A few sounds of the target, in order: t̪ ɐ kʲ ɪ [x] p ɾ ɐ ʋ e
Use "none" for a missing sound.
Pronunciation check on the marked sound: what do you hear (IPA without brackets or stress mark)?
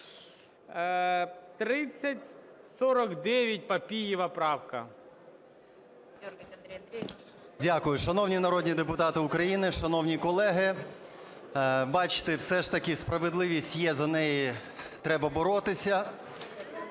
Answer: s